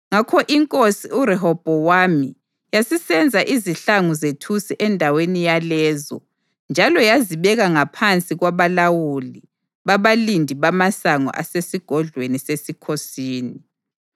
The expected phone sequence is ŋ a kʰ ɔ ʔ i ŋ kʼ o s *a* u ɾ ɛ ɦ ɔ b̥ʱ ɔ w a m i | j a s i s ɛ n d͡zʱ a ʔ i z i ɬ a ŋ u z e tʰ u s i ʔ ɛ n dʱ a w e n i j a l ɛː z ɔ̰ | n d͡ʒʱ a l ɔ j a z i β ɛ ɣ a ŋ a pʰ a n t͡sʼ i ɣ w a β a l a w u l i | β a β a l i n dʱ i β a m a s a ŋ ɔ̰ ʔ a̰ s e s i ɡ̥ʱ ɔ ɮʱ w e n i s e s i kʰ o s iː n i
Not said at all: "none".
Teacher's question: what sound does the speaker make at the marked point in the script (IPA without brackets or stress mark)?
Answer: i